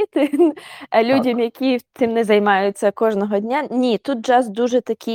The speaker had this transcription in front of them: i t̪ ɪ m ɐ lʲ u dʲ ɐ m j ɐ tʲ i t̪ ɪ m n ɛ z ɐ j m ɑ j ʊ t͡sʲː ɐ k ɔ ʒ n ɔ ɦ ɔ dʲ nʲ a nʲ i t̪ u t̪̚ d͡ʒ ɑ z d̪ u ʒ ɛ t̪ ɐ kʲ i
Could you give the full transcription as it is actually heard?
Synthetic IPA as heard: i t̪ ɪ n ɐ lʲ u dʲ ɐ m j ɐ kʲ i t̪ ɪ m n ɛ z ɐ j m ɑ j ʊ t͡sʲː ɐ k ɔ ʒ n ɔ ɦ ɔ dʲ nʲ a nʲ i t̪ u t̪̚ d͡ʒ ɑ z d̪ u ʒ ɛ t̪ ɐ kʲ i